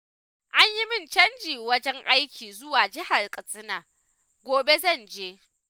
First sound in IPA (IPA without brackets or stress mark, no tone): ʔ